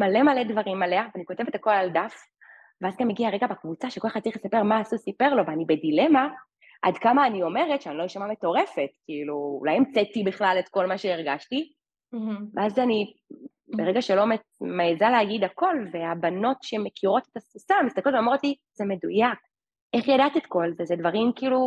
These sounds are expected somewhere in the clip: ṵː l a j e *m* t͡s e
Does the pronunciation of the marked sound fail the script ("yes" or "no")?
no